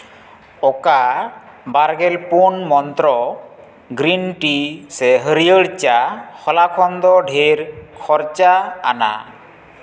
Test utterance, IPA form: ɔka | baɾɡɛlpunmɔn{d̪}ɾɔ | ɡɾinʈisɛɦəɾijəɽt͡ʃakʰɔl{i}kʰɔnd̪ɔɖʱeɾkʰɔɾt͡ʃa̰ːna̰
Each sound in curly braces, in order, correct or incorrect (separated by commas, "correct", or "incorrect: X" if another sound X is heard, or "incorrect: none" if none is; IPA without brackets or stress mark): incorrect: t̪, incorrect: a